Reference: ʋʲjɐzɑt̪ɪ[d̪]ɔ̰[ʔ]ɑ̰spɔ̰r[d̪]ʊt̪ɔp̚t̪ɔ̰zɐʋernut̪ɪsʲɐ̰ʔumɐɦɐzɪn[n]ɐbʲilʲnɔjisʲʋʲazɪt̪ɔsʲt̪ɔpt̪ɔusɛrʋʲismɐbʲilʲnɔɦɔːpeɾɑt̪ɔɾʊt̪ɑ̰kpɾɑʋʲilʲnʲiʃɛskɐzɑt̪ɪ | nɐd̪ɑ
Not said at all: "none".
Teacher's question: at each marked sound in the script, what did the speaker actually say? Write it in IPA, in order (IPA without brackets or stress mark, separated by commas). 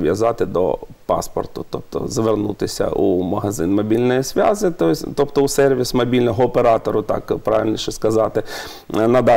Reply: d̪, p, t̪, m